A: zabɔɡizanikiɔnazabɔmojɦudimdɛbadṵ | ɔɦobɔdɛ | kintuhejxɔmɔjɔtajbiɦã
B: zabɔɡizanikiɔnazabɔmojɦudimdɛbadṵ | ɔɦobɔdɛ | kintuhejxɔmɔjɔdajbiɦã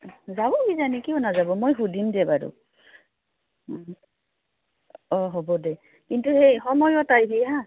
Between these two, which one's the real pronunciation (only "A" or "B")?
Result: A